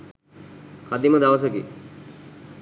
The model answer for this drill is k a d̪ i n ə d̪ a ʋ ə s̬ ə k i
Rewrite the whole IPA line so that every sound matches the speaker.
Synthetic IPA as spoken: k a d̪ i m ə d̪ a ʋ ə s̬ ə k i